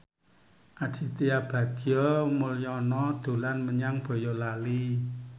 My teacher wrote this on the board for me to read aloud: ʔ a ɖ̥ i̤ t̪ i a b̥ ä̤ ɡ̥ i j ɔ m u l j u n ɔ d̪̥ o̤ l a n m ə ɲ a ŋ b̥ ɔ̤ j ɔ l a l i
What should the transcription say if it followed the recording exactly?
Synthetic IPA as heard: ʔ a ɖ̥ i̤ t̪ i a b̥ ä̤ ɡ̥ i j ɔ m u l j ɔ n ɔ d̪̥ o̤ l a n m ə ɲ a ŋ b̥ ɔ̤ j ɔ l a l i